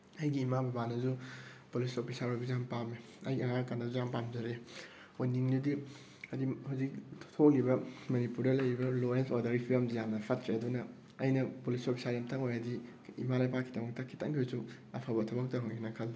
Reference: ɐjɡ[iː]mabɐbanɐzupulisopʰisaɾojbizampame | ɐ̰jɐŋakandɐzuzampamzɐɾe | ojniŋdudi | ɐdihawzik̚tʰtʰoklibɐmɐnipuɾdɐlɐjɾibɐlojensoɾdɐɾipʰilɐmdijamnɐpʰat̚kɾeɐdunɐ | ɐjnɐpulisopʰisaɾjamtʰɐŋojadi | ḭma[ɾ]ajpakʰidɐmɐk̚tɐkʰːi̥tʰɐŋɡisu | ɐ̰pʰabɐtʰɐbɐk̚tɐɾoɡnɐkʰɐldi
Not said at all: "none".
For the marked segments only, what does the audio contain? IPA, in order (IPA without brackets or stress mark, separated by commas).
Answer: iː, l